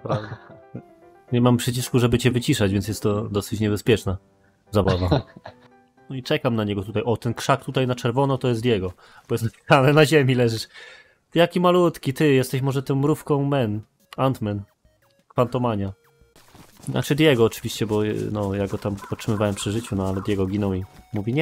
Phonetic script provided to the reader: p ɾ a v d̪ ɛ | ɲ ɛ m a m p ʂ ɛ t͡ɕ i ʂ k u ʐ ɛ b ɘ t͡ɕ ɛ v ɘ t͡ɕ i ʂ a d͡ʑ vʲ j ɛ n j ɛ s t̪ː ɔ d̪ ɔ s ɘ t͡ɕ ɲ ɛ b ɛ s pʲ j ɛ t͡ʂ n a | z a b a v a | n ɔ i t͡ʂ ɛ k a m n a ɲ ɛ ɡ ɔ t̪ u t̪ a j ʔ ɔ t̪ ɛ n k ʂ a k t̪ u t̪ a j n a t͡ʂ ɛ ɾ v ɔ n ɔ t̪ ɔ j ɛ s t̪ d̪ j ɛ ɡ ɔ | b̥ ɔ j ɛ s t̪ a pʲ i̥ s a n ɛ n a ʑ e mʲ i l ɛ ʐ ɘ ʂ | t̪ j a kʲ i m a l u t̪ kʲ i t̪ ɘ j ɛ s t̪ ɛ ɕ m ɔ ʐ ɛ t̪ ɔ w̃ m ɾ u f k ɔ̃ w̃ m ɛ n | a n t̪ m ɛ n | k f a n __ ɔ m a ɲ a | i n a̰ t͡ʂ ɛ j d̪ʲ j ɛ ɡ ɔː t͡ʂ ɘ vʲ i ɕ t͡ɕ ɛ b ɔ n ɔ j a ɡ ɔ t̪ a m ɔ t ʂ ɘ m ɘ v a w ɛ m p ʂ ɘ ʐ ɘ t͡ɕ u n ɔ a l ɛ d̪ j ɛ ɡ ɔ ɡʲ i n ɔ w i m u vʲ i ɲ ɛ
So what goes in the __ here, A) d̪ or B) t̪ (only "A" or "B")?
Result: B